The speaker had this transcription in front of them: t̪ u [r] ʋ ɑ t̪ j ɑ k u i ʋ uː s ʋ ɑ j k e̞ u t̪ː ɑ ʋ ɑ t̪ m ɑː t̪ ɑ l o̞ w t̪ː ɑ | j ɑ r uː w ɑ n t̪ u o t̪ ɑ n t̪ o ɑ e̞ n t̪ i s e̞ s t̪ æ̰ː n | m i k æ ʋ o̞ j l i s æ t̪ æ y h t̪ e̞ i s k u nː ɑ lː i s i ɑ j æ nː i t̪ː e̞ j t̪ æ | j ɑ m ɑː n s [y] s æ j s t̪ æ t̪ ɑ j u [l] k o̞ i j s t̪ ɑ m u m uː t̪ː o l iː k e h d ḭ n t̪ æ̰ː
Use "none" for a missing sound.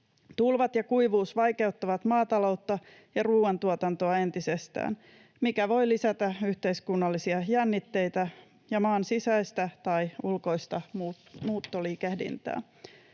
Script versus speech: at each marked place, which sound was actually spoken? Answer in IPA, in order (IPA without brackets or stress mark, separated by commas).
l, i, l